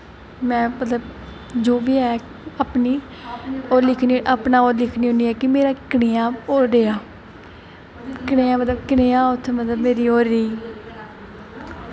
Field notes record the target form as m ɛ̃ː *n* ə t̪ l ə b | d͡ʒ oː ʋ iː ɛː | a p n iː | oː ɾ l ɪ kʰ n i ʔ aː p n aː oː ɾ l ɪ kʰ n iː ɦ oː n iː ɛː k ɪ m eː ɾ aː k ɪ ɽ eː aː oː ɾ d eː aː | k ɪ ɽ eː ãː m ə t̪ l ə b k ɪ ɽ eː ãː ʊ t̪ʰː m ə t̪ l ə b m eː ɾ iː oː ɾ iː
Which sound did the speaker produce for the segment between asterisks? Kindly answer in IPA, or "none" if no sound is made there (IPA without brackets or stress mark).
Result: m